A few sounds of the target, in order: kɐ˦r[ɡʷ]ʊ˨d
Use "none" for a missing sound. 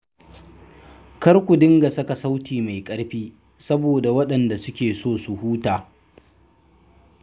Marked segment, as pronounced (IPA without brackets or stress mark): kʷ